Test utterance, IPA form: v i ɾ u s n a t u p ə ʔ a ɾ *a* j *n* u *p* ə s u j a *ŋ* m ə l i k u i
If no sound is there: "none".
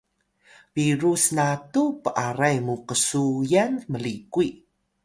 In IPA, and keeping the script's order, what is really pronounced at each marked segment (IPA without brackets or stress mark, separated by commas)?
a, m, q, n